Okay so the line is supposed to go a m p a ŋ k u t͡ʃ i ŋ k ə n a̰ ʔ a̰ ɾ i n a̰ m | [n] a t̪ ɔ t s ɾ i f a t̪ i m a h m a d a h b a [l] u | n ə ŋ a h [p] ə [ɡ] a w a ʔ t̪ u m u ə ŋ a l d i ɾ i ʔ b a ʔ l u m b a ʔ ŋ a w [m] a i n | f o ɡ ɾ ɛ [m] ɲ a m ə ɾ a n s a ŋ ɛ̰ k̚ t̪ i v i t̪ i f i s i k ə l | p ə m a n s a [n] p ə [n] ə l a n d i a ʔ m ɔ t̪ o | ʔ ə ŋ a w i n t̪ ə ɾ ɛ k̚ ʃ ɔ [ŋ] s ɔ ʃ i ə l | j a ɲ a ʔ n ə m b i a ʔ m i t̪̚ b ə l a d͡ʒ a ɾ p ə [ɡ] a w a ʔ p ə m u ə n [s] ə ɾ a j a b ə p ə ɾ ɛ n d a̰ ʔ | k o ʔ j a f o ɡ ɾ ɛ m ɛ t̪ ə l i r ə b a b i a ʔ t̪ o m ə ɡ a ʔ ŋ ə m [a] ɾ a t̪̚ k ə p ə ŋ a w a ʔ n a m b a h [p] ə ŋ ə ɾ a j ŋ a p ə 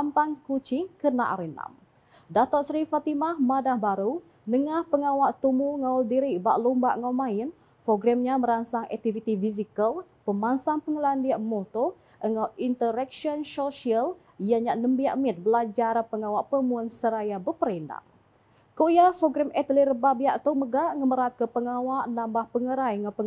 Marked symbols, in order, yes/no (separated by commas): no, no, yes, no, yes, yes, no, no, no, no, yes, no, yes